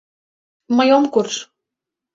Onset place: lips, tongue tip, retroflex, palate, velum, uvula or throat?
lips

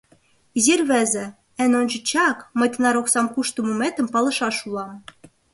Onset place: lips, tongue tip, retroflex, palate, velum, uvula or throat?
tongue tip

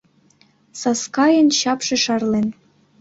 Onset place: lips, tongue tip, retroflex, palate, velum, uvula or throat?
tongue tip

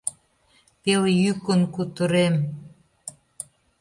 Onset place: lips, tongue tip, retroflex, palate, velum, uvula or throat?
lips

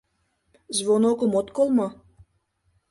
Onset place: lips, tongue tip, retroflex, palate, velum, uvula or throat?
tongue tip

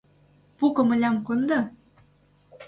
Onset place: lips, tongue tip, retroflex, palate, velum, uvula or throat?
lips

